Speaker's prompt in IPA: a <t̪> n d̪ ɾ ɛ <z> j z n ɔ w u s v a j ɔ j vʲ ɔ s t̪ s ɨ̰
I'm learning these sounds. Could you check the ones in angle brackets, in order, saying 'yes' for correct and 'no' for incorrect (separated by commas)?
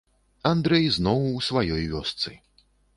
no, no